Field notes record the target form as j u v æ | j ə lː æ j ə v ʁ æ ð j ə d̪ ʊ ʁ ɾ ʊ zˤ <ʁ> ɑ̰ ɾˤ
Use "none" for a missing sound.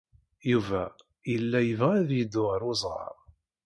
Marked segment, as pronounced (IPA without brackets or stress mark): ʁ